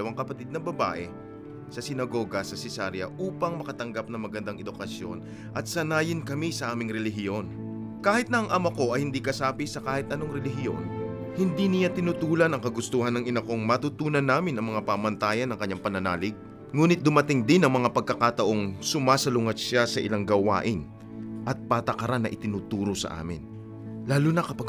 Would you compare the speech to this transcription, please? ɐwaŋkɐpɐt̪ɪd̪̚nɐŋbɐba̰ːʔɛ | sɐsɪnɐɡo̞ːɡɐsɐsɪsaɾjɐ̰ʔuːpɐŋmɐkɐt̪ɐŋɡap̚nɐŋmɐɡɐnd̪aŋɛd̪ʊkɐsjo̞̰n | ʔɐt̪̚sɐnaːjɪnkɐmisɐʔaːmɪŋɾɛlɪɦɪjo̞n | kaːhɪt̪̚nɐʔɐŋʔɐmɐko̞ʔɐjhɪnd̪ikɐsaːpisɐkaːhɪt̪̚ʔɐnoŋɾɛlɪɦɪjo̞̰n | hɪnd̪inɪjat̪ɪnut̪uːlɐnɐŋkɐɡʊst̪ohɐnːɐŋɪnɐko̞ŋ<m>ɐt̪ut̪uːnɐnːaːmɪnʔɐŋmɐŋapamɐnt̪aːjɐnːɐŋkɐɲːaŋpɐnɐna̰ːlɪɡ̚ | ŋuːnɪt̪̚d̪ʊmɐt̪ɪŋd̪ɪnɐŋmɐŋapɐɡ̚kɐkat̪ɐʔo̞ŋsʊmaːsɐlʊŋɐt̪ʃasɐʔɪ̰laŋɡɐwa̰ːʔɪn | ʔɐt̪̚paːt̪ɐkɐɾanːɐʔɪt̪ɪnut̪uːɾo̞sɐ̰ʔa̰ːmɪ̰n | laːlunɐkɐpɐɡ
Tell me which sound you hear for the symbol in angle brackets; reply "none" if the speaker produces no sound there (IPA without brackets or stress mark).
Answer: m